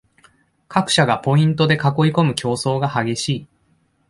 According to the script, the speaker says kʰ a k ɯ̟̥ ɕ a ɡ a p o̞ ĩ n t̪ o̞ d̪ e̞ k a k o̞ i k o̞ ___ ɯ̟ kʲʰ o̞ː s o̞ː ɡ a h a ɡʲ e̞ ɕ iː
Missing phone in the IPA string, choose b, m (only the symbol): m